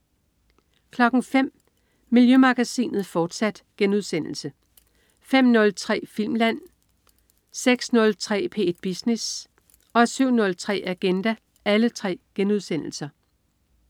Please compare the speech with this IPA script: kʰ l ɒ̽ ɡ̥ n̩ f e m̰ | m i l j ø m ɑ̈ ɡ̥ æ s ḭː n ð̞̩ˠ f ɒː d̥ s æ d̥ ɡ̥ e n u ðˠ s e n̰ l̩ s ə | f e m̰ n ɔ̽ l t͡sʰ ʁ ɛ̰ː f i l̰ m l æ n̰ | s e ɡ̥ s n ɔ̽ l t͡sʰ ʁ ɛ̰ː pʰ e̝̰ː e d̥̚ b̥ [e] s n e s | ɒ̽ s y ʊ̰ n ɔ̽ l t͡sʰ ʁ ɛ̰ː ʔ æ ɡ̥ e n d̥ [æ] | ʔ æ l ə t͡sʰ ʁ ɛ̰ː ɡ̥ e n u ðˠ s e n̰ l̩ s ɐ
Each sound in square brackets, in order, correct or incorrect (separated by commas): incorrect, correct